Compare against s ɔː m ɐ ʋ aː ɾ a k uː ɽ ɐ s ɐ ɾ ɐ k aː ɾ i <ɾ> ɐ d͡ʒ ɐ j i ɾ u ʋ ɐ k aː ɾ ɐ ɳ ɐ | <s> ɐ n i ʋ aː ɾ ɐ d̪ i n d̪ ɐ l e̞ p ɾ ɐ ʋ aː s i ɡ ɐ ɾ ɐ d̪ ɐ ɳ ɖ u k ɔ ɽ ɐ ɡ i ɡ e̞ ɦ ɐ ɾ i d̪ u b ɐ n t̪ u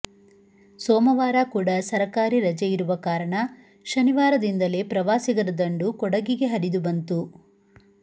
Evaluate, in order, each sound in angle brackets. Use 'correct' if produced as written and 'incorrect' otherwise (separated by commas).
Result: correct, incorrect